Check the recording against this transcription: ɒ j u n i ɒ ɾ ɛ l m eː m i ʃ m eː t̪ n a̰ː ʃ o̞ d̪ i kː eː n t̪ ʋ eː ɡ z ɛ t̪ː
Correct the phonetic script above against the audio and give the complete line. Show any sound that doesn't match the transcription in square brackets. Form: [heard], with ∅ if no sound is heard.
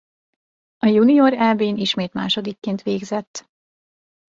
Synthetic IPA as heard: ɒ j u n i [o] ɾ ɛ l [b] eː [n] i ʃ m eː t̪ [m] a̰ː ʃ o̞ d̪ i kː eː n t̪ ʋ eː ɡ z ɛ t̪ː